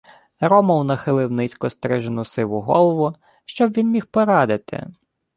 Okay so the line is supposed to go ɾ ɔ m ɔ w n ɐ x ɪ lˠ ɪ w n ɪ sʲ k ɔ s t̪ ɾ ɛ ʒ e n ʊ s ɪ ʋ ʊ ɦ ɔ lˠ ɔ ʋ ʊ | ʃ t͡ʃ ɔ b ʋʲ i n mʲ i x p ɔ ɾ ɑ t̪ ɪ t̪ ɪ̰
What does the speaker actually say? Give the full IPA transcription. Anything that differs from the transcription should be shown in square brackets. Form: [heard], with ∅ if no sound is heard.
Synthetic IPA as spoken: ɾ ɔ m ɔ w n ɐ x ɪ lˠ ɪ w n ɪ sʲ k ɔ s t̪ ɾ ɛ ʒ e n ʊ s ɪ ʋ ʊ ɦ ɔ lˠ ɔ ʋ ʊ | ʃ t͡ʃ ɔ b ʋʲ i n mʲ i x p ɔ ɾ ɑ [d̪] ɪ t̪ ɪ̰